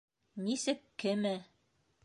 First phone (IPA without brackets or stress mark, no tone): n